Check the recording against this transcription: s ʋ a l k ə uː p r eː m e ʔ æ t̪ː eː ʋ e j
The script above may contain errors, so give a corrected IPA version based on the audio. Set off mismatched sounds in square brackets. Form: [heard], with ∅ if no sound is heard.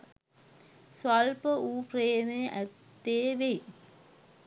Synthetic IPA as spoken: s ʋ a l [p] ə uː p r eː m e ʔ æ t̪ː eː ʋ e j